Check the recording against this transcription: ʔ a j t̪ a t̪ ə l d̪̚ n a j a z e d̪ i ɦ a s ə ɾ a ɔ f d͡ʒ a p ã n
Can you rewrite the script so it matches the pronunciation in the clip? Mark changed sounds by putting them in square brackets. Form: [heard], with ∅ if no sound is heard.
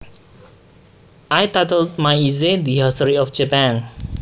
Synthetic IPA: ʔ a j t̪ a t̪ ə l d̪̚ [m] a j [i] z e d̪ i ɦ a s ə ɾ [i] ɔ f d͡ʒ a p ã n

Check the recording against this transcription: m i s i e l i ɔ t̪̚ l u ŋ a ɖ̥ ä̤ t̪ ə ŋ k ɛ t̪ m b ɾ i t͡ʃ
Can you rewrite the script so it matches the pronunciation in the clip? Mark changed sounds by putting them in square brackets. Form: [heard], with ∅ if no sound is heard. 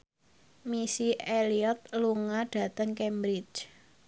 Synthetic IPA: m i s i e l i ɔ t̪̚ l u ŋ a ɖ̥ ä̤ t̪ ə ŋ k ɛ [∅] m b ɾ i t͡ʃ

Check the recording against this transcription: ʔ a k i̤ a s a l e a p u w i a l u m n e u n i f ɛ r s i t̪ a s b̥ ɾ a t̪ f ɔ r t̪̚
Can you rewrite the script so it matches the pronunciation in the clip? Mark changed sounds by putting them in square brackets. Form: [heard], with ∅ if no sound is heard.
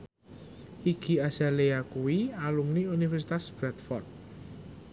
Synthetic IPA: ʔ [i] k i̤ a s a l e a [k] u w i a l u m n [i] u n i f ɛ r s i t̪ a s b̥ ɾ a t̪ f ɔ r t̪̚

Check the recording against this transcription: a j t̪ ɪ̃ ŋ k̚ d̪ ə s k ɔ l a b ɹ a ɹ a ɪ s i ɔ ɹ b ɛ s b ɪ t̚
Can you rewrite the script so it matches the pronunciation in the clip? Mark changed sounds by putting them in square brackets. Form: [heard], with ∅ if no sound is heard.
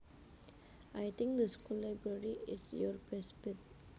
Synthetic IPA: a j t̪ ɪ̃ ŋ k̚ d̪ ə s k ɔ l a b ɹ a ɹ [i] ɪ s [j] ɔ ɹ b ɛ s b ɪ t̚

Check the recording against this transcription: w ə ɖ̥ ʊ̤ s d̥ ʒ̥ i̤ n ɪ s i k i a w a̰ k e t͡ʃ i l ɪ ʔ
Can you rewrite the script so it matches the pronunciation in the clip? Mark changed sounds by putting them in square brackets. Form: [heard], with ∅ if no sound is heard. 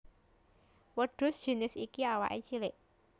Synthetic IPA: w ə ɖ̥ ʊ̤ s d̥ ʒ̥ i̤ n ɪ s i k i a w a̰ [ʔ] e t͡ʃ i l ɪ ʔ

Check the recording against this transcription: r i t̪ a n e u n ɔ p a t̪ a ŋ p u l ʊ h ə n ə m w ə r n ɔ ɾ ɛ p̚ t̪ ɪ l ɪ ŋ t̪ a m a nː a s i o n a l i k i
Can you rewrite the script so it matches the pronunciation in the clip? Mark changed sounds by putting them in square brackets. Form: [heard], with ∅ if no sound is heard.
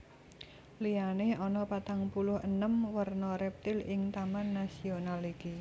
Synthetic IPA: [l] i [∅] a n e [ɔ] n ɔ p a t̪ a ŋ p u l ʊ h ə n ə m w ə r n ɔ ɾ ɛ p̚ t̪ ɪ l ɪ ŋ t̪ a m a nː a s i o n a l i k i

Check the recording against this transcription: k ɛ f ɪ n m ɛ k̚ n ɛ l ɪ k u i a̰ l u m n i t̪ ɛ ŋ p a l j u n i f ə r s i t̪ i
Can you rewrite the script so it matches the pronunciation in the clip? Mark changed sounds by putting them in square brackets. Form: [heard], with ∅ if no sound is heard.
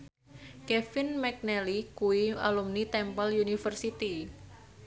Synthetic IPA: k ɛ f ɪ n m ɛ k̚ n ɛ l [i] k u i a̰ l u m n i t̪ ɛ [m] p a l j u n i f ə r s i t̪ i

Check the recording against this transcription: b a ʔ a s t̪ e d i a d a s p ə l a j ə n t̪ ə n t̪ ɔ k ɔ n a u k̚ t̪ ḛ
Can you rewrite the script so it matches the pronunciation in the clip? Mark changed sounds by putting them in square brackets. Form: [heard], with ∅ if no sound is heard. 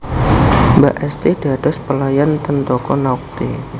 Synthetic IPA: b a ʔ [ɛ] s t̪ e d i a d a s p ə l a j [a] n t̪ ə n t̪ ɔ k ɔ n a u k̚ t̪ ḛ

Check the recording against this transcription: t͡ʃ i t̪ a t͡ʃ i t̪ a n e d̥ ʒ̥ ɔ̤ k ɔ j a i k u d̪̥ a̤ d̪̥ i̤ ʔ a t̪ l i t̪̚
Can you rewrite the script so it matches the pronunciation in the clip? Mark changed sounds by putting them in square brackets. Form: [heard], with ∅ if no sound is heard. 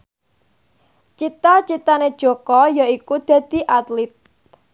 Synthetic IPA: t͡ʃ i t̪ a t͡ʃ i t̪ a n e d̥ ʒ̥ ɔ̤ k ɔ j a i k u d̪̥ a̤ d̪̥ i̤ ʔ a t̪ l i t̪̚

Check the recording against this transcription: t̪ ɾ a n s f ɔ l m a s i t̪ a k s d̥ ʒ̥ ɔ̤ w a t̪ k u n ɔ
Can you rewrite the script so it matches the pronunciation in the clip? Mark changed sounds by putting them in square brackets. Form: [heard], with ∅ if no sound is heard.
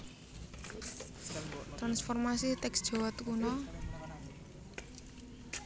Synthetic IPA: t̪ ɾ a n s f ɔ [r] m a s i t̪ [ɛ] k s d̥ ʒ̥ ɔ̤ w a t̪ k u n ɔ

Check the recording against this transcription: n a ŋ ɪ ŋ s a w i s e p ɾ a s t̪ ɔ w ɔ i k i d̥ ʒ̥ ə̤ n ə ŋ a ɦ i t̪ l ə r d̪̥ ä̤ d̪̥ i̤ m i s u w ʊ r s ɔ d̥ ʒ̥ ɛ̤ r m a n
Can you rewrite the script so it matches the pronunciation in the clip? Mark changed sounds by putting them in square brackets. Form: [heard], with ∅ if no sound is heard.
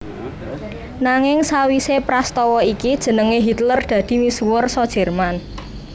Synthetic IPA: n a ŋ ɪ ŋ s a w i s e p ɾ a s t̪ ɔ w ɔ i k i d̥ ʒ̥ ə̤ n ə ŋ [e] ɦ i t̪ l ə r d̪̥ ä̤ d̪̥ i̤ m i s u w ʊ r s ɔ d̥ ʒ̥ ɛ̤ r m a n

